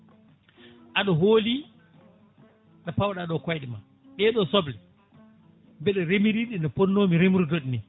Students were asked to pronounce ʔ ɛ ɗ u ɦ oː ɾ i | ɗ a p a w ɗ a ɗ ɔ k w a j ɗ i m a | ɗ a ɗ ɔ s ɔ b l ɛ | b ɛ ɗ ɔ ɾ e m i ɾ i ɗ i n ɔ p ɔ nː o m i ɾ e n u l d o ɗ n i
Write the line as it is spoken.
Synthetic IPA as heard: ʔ a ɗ ɔ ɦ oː l i | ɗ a p a w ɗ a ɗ ɔ k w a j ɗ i m a | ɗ ɛ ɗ ɔ s ɔ b l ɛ | b ɛ ɗ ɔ ɾ e m i ɾ i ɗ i n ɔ p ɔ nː o m i ɾ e m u ɾ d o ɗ n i